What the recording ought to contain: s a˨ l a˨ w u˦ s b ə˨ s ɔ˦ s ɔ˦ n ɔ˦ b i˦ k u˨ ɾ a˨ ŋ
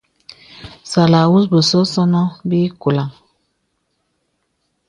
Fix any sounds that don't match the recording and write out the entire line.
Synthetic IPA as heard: s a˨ l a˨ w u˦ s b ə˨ s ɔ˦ s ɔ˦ n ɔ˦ b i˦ k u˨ l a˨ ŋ